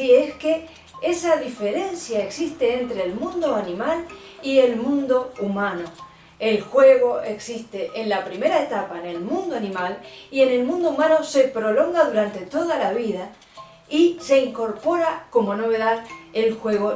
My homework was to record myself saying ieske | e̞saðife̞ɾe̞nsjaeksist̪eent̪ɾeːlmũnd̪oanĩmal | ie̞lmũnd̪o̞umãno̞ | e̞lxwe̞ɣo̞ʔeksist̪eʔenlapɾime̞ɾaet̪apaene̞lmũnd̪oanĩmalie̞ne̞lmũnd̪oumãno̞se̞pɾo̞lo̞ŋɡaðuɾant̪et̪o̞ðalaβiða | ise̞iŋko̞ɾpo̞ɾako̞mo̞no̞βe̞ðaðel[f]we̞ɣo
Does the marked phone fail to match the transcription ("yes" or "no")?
yes